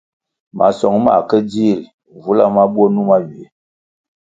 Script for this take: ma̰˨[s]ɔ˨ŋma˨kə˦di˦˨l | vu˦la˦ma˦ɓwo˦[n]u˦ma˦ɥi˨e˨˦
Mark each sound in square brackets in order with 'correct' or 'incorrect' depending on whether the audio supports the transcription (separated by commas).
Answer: correct, correct